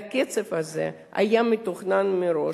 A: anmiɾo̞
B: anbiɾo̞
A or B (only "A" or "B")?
A